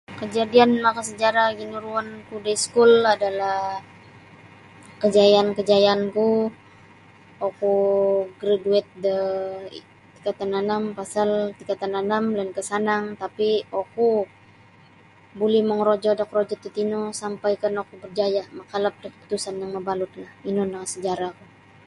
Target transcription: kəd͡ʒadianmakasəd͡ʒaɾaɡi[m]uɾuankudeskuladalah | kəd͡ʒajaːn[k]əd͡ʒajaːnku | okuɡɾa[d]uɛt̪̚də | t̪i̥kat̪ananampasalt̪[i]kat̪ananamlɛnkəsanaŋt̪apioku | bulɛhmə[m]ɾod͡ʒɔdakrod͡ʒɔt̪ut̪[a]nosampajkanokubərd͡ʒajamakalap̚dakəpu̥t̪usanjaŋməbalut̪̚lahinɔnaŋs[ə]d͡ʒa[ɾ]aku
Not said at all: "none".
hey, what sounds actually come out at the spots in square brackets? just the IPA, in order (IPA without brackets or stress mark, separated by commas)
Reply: n, k, d, i, ŋ, i, ə, ɾ